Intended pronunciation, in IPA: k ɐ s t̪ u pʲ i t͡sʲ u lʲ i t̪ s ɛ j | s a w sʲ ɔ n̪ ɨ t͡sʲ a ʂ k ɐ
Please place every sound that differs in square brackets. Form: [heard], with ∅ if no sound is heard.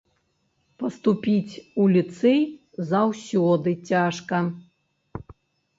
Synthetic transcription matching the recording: [p] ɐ s t̪ u pʲ i t͡sʲ u lʲ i t̪ s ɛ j | [z] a w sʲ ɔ [d̪] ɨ t͡sʲ a ʂ k ɐ